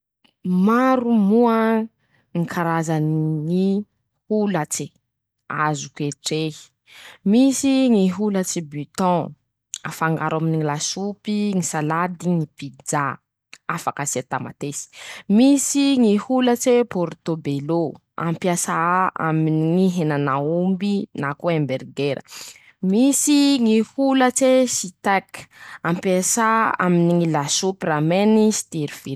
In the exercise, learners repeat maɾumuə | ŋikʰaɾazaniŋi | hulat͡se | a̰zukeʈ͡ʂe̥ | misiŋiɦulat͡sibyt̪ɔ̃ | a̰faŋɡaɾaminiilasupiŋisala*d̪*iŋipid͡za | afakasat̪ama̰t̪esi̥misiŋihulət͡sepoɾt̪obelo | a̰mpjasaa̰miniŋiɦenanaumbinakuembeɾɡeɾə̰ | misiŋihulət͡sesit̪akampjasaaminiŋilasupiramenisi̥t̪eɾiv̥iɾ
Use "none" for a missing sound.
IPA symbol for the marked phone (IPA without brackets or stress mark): d̪